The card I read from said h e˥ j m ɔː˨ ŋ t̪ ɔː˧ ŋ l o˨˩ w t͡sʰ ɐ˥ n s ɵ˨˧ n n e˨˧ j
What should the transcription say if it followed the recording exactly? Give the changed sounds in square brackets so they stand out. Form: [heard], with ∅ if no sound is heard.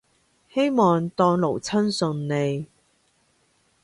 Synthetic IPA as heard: h e˥ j m ɔː˨ ŋ t̪ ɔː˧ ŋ l o˨˩ w t͡sʰ ɐ˥ n s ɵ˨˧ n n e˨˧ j